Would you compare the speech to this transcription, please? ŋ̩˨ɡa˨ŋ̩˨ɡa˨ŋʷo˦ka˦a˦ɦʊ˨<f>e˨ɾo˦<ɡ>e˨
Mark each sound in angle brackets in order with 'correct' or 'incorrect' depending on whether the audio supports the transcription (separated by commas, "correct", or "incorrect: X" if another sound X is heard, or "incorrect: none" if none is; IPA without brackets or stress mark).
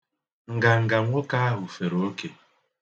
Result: correct, incorrect: k